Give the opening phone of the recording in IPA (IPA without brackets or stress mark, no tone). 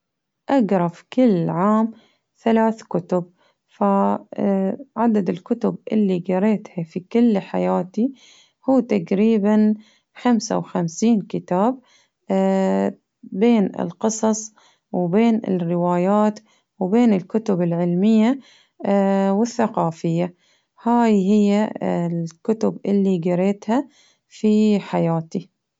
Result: ʔ